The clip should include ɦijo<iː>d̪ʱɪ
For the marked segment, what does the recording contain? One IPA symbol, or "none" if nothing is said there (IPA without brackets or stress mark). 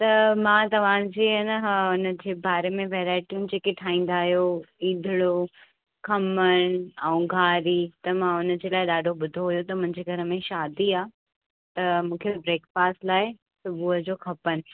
iː